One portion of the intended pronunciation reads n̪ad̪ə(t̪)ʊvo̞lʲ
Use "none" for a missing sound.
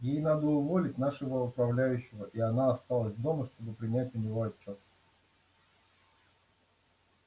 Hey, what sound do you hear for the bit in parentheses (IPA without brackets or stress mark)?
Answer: none